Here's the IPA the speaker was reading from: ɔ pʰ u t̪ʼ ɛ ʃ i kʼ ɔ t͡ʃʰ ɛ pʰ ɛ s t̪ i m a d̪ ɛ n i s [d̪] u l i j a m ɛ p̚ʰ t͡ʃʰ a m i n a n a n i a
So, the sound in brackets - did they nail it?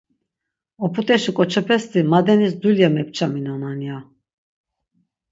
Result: yes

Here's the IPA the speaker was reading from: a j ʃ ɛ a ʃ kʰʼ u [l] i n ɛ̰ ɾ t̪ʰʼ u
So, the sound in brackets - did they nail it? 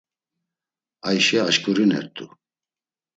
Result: no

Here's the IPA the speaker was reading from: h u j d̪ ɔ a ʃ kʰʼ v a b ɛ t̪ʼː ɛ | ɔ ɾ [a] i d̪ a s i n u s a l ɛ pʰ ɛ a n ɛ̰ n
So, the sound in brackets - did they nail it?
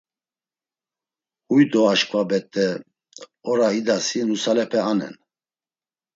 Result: yes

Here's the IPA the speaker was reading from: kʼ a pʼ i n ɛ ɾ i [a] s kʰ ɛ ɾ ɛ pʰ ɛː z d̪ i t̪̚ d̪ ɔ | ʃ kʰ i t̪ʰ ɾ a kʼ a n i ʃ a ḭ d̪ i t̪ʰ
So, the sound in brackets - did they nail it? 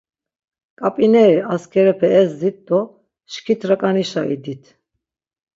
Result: yes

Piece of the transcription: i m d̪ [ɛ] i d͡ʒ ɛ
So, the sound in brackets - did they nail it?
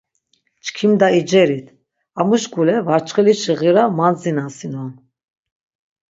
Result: no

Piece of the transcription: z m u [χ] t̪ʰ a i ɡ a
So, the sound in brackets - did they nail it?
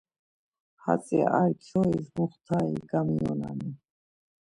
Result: yes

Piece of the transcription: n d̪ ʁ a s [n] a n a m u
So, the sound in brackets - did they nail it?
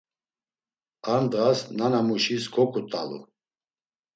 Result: yes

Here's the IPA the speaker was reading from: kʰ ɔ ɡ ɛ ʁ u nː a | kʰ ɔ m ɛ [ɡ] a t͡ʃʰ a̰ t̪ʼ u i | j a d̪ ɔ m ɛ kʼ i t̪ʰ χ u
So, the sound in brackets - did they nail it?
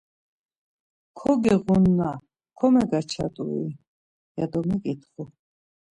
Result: yes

